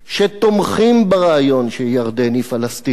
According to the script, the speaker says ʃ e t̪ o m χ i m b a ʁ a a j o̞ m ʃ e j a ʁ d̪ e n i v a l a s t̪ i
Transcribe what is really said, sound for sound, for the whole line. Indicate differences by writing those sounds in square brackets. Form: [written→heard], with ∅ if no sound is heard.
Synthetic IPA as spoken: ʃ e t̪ o m χ i m b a ʁ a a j o̞ [m→n] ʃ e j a ʁ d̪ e n i [v→f] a l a s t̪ i